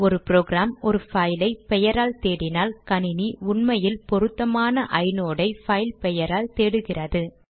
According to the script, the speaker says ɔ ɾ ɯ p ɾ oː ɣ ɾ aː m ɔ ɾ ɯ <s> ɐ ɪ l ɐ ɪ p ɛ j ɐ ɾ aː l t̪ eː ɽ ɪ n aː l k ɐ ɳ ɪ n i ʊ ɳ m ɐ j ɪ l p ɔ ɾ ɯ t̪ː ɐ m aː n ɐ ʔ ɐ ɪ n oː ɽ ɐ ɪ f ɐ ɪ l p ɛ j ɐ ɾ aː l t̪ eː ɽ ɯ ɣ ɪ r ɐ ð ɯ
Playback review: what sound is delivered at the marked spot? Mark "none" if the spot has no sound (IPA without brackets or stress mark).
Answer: f